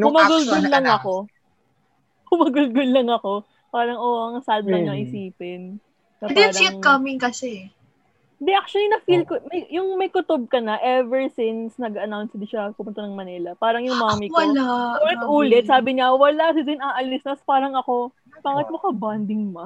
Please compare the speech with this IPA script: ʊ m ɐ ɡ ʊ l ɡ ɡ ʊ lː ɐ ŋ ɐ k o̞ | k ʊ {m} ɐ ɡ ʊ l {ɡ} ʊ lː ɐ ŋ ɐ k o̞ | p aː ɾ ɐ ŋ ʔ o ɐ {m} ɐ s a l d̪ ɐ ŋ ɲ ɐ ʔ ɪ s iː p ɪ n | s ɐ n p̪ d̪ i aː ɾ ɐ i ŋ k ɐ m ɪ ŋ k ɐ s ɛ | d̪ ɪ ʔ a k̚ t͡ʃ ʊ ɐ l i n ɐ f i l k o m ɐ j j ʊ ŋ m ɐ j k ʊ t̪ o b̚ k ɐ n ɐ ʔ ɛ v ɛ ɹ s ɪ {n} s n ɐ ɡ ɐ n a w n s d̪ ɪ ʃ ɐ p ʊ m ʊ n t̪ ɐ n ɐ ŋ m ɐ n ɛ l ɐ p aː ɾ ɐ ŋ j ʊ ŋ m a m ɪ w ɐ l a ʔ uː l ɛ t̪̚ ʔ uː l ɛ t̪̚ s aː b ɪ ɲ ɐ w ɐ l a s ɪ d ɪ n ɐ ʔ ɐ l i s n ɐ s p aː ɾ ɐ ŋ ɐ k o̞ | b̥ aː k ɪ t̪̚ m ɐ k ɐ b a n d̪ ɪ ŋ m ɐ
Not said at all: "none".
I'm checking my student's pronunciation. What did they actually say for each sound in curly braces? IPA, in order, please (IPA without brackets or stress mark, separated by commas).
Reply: m, ɡ, ŋ, n